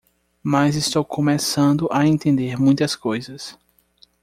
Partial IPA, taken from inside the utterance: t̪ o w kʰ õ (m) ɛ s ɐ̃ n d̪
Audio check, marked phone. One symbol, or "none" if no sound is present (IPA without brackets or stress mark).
m